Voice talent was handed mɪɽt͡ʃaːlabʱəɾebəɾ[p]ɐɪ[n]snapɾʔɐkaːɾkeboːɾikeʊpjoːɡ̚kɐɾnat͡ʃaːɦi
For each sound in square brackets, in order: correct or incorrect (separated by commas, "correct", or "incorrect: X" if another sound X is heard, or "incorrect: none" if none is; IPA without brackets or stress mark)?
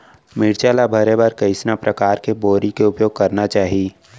incorrect: k, incorrect: none